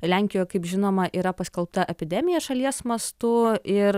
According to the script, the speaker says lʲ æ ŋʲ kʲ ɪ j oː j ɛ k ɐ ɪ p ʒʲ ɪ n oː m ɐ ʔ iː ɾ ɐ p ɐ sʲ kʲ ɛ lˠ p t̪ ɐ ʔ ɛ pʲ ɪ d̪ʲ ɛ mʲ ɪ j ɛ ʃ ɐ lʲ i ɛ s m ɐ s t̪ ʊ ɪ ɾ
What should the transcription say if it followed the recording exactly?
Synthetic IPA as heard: lʲ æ ŋʲ kʲ ɪ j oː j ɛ k ɐ ɪ p ʒʲ ɪ n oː m ɐ ʔ iː ɾ ɐ p ɐ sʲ kʲ ɛ lˠ p t̪ ɐ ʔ ɛ pʲ ɪ d̪ʲ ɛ mʲ ɪ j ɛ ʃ ɐ lʲ i ɛ s m ɐ s t̪ ʊ ɪ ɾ